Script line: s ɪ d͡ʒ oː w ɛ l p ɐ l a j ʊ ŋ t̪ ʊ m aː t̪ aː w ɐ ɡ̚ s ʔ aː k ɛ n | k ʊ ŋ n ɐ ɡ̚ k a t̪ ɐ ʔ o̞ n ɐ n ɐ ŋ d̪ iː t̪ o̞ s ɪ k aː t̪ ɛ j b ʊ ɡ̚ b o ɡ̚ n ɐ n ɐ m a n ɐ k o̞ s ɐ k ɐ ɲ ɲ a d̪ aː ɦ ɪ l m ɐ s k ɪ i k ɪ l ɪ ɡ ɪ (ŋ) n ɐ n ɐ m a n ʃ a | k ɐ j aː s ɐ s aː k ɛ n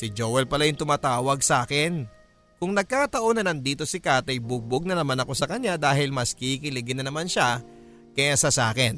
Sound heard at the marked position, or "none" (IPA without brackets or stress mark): none